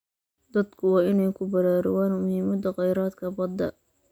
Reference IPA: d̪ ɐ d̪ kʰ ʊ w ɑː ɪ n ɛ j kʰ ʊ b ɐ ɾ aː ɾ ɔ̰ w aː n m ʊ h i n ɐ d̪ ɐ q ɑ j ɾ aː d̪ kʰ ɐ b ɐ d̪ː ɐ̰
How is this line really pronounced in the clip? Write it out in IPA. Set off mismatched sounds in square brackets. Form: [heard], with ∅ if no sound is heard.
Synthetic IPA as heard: d̪ ɐ d̪ kʰ ʊ w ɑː ɪ n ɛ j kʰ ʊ b ɐ ɾ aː ɾ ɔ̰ w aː n m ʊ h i [m] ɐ d̪ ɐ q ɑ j ɾ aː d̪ kʰ ɐ b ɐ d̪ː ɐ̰